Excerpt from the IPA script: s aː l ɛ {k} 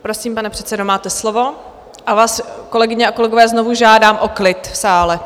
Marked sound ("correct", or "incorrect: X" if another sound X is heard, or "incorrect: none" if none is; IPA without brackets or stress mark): incorrect: none